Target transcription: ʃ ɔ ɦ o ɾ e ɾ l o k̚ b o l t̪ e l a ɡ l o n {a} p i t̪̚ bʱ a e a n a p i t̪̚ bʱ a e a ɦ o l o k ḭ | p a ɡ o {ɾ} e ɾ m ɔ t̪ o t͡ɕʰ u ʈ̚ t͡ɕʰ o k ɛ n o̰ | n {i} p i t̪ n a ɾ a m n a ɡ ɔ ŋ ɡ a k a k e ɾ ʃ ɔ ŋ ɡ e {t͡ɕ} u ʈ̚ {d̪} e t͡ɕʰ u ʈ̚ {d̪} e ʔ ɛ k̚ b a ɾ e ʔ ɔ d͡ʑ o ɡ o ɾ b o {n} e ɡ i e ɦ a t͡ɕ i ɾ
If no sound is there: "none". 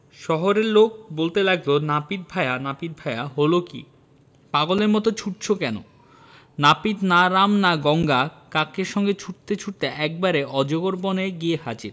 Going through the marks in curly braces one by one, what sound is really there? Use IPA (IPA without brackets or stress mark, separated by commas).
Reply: a, l, a, t͡ɕʰ, t̪, t̪, n